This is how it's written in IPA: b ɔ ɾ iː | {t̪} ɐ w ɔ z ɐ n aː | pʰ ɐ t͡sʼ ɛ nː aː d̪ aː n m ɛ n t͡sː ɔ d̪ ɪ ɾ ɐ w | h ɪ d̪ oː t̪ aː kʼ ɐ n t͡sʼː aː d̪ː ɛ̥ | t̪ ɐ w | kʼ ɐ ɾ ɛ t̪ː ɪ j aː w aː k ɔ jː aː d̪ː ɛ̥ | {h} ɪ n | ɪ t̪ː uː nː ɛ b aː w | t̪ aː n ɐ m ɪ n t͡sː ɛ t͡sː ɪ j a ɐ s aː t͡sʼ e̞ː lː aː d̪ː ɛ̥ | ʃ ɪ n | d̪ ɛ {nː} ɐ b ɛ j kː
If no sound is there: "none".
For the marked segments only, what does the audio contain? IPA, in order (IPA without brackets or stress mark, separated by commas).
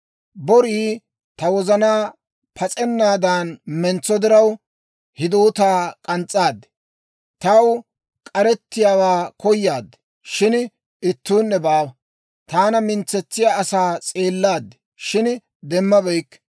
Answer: t̪, ʃ, mː